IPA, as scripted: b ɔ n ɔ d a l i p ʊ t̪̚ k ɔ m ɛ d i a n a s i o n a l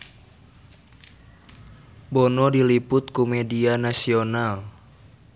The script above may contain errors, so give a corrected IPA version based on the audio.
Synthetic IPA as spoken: b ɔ n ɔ d i l i p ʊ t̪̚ k u m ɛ d i a n a s i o n a l